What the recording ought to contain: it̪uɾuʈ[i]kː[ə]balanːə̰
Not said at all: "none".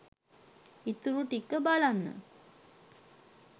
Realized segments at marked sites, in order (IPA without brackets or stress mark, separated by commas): i, ə